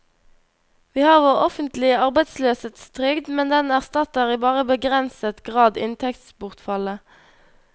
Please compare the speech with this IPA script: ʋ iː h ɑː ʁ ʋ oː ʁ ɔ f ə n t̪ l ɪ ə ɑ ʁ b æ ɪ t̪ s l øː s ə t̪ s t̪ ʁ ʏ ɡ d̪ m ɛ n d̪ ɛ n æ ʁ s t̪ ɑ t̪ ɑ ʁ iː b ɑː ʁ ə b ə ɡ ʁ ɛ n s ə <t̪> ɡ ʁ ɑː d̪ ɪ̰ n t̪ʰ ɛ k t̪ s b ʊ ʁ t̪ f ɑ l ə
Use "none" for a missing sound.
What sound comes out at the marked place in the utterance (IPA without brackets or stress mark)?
t̪